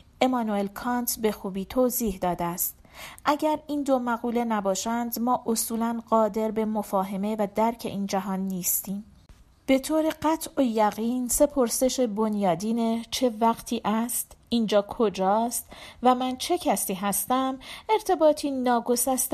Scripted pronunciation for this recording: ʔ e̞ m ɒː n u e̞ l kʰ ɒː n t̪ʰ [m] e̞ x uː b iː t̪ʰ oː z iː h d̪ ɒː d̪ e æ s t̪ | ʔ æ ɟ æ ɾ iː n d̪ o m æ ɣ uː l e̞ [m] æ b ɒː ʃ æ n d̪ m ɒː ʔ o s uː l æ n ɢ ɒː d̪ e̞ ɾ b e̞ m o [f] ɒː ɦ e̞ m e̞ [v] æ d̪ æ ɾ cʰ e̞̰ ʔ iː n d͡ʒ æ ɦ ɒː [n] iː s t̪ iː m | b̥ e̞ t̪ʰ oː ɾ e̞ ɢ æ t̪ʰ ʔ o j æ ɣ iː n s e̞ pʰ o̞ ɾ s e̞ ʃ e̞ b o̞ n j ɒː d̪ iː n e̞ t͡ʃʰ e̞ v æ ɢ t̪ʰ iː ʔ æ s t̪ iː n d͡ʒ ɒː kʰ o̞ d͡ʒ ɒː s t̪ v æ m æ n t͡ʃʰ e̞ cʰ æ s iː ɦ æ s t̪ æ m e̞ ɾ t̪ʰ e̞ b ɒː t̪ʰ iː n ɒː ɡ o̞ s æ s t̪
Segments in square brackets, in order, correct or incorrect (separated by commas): incorrect, incorrect, correct, correct, incorrect